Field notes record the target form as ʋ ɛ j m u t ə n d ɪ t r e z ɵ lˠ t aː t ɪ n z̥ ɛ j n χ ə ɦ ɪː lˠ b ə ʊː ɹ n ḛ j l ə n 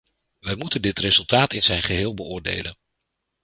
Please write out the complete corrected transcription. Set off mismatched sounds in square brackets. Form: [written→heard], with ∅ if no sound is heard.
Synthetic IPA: ʋ ɛ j m u t ə n d ɪ t r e z ɵ lˠ t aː t ɪ n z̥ ɛ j n χ ə ɦ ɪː lˠ b ə ʊː ɹ [n→d] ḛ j l ə n

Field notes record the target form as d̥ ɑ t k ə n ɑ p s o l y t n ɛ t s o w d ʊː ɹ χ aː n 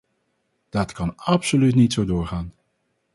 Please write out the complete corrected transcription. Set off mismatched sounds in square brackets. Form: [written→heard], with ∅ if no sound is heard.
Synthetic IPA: d̥ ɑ t k [ə→ɑ] n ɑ p s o l y t n [ɛ→i] t s o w d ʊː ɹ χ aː n

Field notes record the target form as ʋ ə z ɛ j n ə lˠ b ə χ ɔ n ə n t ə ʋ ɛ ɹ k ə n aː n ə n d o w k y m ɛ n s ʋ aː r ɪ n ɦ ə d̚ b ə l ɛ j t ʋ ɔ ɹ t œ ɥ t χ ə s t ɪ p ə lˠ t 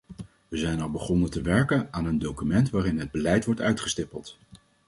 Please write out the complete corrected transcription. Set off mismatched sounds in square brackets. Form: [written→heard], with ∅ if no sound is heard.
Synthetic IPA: ʋ ə z ɛ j n [ə→ɑ] lˠ b ə χ ɔ n ə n t ə ʋ ɛ ɹ k ə n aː n ə n d o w k y m ɛ n [s→t] ʋ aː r ɪ n ɦ ə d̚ b ə l ɛ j t ʋ ɔ ɹ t œ ɥ t χ ə s t ɪ p ə lˠ t

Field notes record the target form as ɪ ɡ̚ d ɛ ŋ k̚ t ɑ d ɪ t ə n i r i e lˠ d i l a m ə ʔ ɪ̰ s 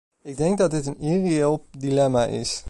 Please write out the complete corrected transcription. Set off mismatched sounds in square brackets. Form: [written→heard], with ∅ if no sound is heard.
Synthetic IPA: ɪ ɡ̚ d ɛ ŋ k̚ [t→d] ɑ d ɪ t ə n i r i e lˠ d i l [a→ɛ] m [ə→a] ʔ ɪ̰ s

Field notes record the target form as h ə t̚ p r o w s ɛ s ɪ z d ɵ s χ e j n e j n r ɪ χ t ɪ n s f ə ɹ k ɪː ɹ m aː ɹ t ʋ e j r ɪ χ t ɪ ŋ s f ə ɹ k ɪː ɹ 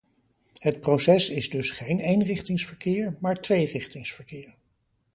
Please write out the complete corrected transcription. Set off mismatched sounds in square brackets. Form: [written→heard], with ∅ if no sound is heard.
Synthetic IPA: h ə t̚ p r o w s ɛ s ɪ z d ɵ s χ e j n e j n r ɪ χ t ɪ [n→ŋ] s f ə ɹ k ɪː ɹ m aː ɹ t ʋ e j r ɪ χ t ɪ ŋ s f ə ɹ k ɪː ɹ

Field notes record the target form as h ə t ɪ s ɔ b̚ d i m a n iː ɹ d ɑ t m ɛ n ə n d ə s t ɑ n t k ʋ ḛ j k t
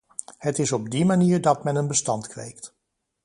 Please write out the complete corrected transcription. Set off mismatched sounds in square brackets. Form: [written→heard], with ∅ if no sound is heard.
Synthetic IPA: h ə t ɪ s ɔ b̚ d i m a n iː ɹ d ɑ t m ɛ n ə n [d→b] ə s t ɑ n t k ʋ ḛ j k t

